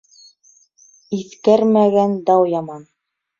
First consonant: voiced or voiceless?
voiceless